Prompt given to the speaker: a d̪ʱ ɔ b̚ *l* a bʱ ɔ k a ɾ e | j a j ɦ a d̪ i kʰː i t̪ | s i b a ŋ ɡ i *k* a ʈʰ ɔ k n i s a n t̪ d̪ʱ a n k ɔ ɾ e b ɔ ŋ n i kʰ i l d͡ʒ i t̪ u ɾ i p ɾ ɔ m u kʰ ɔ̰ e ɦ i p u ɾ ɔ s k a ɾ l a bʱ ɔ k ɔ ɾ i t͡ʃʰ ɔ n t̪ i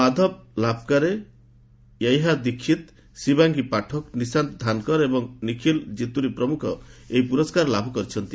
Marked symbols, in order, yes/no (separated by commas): yes, no